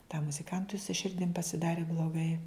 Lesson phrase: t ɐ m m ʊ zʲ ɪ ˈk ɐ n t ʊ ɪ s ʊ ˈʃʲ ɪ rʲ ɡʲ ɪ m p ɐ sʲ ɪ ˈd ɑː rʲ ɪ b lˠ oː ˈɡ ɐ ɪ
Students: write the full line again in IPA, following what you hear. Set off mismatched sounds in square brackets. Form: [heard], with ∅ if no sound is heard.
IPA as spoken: t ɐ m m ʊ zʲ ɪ ˈk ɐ n t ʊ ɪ s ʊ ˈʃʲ ɪ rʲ [dʲ] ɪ m p ɐ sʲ ɪ ˈd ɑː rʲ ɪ b lˠ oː ˈɡ ɐ ɪ